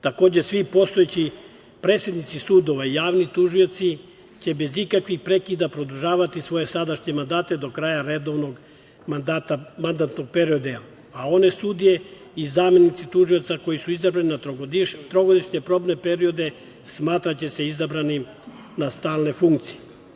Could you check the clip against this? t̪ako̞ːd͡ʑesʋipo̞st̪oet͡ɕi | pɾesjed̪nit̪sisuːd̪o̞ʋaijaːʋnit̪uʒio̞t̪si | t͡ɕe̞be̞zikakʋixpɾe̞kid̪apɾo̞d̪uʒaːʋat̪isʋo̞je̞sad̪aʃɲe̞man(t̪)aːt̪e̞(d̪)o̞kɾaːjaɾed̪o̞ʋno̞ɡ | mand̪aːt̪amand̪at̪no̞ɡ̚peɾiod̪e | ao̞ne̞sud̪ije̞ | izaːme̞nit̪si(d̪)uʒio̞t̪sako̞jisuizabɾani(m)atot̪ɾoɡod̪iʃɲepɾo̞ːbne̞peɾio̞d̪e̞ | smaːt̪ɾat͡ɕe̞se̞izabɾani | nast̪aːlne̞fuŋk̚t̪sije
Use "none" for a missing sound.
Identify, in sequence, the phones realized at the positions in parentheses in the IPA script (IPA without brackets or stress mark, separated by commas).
d̪, d̪, t̪, n